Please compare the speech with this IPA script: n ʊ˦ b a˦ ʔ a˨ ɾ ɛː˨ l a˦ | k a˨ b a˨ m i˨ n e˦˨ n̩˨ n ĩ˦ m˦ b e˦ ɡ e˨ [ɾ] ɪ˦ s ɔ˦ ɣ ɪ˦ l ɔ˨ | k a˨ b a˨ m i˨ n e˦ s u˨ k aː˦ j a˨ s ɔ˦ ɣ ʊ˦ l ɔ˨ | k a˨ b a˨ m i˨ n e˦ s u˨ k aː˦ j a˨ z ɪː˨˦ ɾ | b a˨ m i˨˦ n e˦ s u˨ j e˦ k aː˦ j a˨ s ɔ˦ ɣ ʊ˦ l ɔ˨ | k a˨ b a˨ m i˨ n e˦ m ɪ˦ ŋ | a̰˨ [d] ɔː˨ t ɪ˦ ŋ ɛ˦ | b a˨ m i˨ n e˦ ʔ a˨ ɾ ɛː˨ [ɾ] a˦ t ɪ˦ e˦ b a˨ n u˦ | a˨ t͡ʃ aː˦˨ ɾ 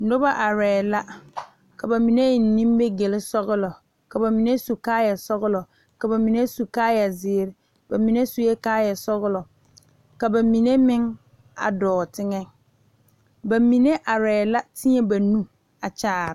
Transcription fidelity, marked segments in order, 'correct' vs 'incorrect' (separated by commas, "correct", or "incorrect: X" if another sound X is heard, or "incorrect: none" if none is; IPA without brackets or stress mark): incorrect: l, correct, incorrect: l